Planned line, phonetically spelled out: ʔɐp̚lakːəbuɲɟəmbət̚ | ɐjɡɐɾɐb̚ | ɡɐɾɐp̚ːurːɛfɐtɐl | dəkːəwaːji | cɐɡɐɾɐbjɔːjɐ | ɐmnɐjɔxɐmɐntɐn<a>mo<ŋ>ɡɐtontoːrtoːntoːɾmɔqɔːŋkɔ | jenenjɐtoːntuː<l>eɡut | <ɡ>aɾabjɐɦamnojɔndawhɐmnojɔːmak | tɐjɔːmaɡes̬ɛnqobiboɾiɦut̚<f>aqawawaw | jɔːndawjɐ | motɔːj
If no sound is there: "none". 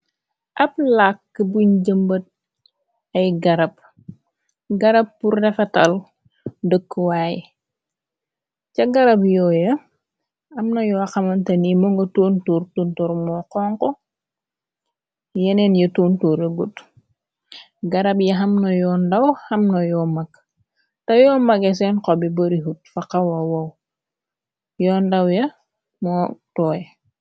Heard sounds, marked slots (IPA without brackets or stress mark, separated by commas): i, ŋ, ɾ, ɡ, f